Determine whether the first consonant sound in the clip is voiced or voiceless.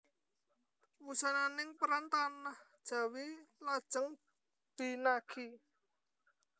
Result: voiced